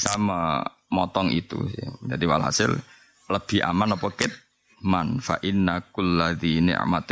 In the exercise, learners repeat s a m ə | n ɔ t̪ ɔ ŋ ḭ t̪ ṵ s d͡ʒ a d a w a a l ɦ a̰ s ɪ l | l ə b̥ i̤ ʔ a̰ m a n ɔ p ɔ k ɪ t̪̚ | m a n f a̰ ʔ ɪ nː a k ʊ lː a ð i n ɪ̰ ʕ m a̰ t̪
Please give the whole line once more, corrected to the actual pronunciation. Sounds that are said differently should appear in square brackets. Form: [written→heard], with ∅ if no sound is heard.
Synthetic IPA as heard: s a m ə | [n→m] ɔ t̪ ɔ ŋ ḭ t̪ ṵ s d͡ʒ a d [a→i] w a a l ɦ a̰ s ɪ l | l ə b̥ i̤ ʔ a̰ m a n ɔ p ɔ k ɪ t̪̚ | m a n f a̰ ʔ ɪ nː a k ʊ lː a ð i n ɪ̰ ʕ m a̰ t̪